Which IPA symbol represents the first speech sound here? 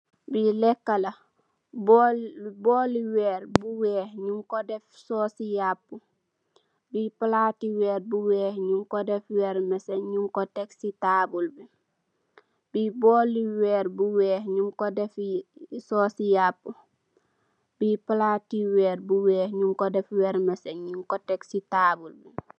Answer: b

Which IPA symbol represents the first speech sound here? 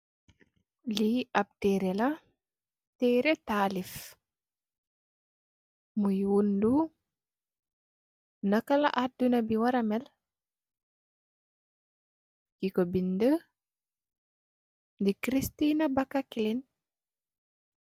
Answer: l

